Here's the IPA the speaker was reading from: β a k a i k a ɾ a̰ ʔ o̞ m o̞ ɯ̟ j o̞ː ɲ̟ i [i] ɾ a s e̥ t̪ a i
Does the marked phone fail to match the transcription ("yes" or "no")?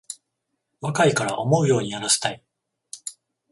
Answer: yes